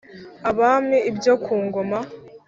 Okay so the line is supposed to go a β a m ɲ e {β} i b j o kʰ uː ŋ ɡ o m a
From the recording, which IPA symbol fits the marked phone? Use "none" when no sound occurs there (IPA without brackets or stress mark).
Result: none